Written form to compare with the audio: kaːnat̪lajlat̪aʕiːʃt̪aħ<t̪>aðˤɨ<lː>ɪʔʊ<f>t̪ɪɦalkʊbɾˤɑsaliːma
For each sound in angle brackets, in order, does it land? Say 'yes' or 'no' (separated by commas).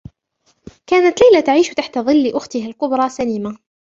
yes, yes, no